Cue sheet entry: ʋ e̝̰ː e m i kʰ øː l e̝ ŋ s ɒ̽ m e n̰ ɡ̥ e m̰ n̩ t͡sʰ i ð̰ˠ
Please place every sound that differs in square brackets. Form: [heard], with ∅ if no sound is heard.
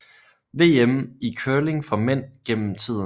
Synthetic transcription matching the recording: ʋ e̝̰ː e m i kʰ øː l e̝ ŋ [f] ɒ̽ m e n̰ ɡ̥ e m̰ [m̩] t͡sʰ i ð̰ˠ